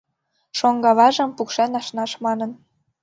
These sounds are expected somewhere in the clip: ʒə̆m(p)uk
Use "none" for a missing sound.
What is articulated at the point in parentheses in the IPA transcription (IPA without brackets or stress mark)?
p